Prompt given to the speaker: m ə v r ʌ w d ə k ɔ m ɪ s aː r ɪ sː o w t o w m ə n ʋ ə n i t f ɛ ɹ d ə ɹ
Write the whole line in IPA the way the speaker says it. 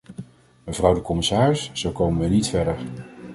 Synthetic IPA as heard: m ə v r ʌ w d ə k ɔ m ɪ s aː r ɪ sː o w k o w m ə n ʋ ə n i t f ɛ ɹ d ə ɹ